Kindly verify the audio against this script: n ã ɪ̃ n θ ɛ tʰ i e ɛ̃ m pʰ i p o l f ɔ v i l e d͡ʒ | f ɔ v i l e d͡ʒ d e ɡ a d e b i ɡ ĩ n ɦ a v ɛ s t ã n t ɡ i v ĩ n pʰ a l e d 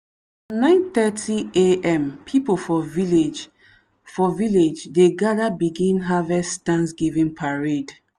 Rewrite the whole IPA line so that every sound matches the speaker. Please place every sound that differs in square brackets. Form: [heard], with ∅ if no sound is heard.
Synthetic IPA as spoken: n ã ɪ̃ n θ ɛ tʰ i e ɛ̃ m pʰ i p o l f ɔ v i l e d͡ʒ | f ɔ v i l e d͡ʒ d e ɡ a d [a] b i ɡ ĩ n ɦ a v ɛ s t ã n [s] ɡ i v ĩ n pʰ a [ɹ] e d